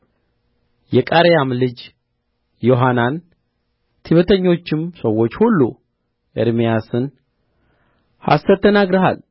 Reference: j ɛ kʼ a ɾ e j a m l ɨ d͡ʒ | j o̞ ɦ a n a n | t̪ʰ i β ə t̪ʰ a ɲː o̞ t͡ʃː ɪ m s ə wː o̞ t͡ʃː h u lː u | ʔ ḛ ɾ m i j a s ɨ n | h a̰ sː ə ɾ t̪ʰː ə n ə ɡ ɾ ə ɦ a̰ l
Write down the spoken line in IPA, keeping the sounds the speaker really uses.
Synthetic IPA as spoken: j ɛ kʼ a ɾ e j a m l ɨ d͡ʒ | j o̞ ɦ a n a n | t̪ʰ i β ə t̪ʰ ə ɲː o̞ t͡ʃː ɪ m s ə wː o̞ t͡ʃː h u lː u | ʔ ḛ ɾ m i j a s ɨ n | h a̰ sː ə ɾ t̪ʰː ə n a ɡ ɾ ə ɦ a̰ l